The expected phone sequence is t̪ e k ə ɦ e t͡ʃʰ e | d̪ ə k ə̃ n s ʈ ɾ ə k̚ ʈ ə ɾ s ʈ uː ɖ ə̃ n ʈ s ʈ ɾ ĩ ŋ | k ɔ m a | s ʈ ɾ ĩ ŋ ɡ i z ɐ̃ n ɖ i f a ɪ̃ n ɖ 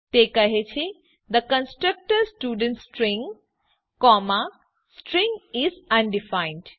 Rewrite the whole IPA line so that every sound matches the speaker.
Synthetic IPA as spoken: t̪ e k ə ɦ e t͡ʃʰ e | d̪ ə k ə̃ n s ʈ ɾ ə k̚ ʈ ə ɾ s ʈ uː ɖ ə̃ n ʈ s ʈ ɾ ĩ ŋ | k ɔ m a | s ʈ ɾ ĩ ŋ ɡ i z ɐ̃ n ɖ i f a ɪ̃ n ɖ